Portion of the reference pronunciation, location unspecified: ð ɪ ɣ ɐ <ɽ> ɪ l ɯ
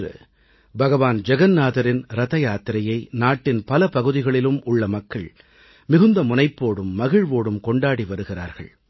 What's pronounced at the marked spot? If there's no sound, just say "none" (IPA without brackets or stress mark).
ɭ